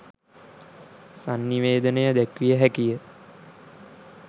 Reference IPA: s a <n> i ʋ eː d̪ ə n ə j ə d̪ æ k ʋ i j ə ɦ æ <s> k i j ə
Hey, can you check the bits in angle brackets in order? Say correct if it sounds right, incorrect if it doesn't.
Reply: incorrect: nː, incorrect: none

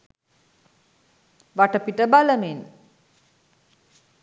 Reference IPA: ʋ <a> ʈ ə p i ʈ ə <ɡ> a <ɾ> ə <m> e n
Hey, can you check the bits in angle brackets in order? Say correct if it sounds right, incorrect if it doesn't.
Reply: correct, incorrect: b, incorrect: l, correct

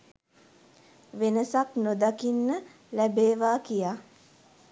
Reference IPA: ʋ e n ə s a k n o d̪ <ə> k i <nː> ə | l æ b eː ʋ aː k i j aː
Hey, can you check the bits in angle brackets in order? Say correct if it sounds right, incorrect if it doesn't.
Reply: incorrect: a, correct

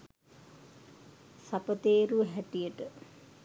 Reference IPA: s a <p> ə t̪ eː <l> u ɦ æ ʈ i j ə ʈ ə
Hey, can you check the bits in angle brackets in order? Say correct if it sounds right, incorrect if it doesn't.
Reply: correct, incorrect: ɾ

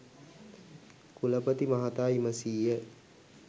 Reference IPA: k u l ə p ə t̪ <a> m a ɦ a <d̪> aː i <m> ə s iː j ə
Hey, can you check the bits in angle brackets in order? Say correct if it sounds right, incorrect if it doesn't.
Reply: incorrect: i, incorrect: t̪, correct

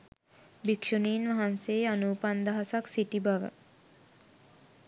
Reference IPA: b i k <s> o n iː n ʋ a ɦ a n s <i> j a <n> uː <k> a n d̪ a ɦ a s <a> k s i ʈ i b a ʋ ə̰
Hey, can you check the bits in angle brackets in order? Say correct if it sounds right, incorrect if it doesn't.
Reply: incorrect: ʃ, incorrect: e, correct, incorrect: p, correct

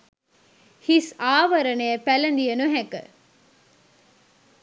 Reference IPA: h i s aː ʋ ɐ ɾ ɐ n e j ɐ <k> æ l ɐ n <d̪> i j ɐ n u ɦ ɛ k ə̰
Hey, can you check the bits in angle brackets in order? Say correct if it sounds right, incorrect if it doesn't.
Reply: incorrect: p, correct

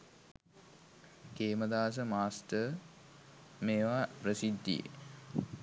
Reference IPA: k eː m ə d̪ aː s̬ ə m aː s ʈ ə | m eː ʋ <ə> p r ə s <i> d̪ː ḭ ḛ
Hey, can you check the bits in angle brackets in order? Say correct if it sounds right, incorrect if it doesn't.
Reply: incorrect: a, correct

